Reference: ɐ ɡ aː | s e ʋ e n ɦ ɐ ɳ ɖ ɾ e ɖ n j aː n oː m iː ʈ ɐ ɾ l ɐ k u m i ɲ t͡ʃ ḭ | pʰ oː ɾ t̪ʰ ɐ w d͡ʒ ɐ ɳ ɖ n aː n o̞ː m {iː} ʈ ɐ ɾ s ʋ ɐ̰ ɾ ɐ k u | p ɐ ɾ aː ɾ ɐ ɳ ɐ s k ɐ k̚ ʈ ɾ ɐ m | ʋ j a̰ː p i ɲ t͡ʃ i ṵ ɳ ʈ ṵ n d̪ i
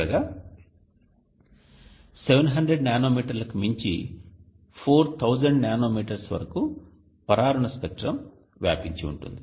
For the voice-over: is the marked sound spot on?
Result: yes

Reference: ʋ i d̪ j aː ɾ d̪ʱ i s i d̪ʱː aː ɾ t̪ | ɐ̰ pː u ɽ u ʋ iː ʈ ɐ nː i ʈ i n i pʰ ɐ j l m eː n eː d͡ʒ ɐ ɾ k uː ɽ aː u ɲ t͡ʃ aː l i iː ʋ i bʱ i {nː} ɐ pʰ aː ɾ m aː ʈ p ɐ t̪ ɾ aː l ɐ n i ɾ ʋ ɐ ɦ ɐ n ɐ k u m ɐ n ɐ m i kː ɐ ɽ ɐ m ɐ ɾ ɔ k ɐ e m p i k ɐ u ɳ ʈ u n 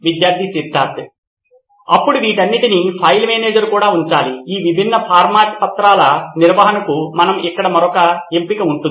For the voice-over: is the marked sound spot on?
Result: yes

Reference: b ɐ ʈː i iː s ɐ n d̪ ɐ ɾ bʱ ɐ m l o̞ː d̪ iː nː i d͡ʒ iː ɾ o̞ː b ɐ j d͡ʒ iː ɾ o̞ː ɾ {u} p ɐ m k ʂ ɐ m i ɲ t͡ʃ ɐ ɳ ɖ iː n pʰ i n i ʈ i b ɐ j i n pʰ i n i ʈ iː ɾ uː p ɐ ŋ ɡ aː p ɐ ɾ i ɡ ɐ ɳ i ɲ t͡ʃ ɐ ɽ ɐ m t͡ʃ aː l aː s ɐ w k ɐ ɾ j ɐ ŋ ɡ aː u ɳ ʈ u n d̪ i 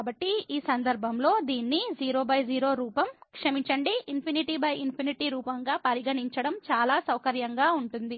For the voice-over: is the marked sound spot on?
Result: no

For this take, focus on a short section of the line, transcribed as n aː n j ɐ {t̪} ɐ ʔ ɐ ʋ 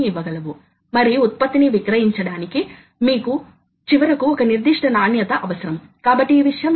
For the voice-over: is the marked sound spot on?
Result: yes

